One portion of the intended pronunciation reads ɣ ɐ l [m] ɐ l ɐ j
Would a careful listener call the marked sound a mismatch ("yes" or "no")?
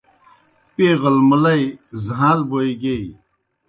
no